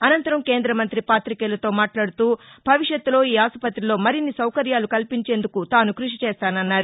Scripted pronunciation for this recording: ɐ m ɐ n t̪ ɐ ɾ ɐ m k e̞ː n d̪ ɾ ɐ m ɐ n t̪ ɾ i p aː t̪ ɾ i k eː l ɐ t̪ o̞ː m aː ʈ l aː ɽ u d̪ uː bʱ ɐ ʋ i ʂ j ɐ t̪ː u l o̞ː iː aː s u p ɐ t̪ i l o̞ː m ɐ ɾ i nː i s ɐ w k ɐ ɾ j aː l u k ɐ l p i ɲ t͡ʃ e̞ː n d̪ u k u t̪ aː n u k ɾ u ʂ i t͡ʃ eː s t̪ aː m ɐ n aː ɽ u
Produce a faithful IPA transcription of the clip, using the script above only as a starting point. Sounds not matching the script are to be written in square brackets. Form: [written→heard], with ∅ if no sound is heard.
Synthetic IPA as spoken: ɐ [m→n] ɐ n t̪ ɐ ɾ ɐ m k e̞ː n d̪ ɾ ɐ m ɐ n t̪ ɾ i p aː t̪ ɾ i k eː l ɐ t̪ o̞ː m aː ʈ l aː ɽ u [d̪→t̪] uː bʱ ɐ ʋ i ʂ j ɐ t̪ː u l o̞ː iː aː s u p ɐ t̪ i l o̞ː m ɐ ɾ i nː i s ɐ w k ɐ ɾ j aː l u k ɐ l p i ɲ t͡ʃ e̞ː n d̪ u k u t̪ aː n u k ɾ u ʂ i t͡ʃ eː s t̪ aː [m→n] ɐ [n→nː] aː [ɽ→ɾ] u